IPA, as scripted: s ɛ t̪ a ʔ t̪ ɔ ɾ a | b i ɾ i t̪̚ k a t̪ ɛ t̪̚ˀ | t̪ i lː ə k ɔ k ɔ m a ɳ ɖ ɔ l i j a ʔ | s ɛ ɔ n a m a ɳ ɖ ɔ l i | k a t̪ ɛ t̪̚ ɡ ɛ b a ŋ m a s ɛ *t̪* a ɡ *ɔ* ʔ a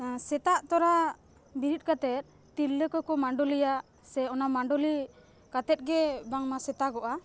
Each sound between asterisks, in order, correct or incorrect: correct, correct

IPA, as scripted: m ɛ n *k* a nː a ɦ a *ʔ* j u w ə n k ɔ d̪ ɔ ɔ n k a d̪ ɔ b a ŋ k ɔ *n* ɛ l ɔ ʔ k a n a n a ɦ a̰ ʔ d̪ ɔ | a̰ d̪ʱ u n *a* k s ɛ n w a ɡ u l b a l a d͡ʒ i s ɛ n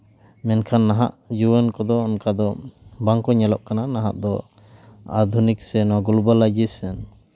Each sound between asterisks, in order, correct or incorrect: incorrect: kʰ, correct, incorrect: ɲ, incorrect: i

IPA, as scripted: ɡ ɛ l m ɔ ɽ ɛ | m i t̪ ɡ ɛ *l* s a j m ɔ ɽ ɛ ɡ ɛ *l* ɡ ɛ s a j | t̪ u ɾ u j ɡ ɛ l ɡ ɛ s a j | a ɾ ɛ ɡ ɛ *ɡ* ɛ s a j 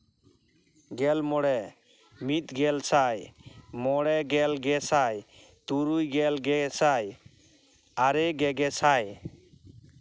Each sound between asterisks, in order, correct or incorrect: correct, correct, correct

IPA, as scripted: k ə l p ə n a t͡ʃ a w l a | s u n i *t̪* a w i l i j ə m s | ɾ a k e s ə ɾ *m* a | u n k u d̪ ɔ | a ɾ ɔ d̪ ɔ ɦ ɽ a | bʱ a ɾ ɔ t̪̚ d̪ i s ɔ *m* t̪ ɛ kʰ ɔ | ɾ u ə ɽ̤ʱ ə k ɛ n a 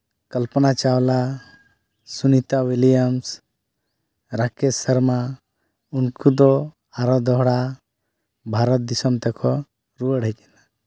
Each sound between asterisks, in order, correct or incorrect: correct, correct, correct

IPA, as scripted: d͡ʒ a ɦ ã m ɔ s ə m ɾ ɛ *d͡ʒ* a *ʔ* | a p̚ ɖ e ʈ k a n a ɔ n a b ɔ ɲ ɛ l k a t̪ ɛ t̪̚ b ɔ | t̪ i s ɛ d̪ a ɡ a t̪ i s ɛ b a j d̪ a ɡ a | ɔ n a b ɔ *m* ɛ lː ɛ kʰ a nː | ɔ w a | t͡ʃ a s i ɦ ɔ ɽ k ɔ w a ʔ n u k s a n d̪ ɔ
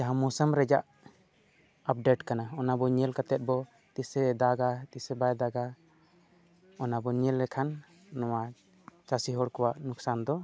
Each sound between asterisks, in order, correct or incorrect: correct, correct, incorrect: ɲ

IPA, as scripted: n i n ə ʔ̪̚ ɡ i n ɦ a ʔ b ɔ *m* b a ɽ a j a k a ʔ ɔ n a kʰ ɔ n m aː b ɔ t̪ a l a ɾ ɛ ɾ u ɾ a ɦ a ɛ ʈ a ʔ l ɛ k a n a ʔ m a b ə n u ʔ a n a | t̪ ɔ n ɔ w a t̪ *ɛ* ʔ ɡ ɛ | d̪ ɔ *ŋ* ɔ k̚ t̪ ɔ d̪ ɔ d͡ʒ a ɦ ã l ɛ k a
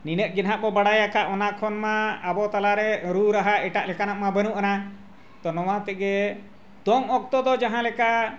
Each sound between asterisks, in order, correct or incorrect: incorrect: none, correct, correct

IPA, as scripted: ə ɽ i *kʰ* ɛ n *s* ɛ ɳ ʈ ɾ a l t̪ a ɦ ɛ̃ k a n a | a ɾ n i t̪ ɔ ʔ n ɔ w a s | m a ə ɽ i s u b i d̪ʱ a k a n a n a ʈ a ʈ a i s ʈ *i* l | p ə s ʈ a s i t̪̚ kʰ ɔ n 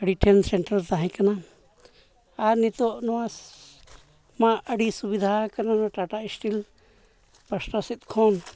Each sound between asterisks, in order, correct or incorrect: incorrect: ʈʰ, correct, correct

